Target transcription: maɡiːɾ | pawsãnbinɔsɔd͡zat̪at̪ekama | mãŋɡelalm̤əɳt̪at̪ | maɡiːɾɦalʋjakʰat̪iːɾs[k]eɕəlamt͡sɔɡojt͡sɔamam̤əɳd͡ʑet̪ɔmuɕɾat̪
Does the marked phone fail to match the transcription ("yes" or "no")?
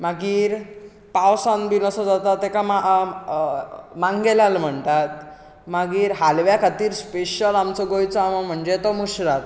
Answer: yes